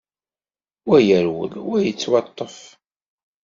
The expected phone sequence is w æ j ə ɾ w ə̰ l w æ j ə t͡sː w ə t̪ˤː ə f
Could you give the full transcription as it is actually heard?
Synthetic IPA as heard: w æ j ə ɾ w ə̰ l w æ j ə t͡sː w ɑ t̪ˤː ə f